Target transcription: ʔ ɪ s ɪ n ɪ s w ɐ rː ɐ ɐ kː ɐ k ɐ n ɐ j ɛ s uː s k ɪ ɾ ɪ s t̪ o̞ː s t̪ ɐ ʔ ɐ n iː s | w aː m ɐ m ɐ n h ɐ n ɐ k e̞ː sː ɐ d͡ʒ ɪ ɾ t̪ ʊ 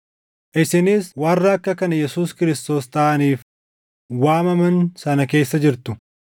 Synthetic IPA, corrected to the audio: ʔ ɪ s ɪ n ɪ s w ɐ rː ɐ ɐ kː ɐ k ɐ n ɐ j ɛ s uː s k ɪ ɾ ɪ s t̪ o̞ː s t̪ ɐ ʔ ɐ n iː f | w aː m ɐ m ɐ n s ɐ n ɐ k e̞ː sː ɐ d͡ʒ ɪ ɾ t̪ ʊ

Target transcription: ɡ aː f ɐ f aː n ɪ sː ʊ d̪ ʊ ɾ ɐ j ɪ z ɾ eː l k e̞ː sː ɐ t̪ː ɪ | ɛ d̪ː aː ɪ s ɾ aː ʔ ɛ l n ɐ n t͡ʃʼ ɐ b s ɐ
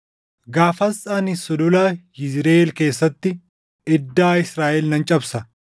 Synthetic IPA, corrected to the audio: ɡ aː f ɐ s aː n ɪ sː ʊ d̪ ʊ l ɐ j ɪ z ɾ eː l k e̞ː sː ɐ t̪ː ɪ | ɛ d̪ː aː ɪ s ɾ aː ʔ ɛ l n ɐ n t͡ʃʼ ɐ b s ɐ

